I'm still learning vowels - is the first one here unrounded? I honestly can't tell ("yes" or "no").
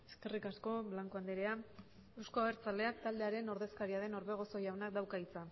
yes